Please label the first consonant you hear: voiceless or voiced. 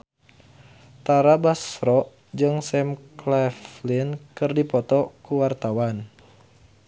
voiceless